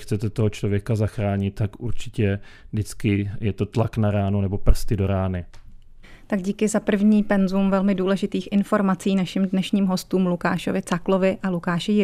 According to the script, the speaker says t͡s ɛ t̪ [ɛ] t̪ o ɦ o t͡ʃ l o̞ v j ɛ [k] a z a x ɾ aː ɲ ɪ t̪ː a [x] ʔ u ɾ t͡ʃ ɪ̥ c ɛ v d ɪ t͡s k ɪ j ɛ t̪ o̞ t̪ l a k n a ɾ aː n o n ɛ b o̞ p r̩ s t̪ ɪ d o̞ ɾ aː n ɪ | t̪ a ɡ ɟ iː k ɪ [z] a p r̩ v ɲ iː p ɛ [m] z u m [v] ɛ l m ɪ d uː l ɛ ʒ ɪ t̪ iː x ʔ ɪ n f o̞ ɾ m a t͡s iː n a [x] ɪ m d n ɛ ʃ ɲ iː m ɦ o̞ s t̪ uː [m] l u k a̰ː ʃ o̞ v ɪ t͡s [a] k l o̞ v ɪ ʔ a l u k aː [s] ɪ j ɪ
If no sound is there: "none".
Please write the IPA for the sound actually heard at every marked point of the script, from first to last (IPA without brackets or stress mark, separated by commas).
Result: ɛ, k, k, z, n, v, ʃ, m, a, ʃ